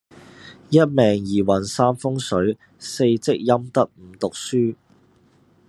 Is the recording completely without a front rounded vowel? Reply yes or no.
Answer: no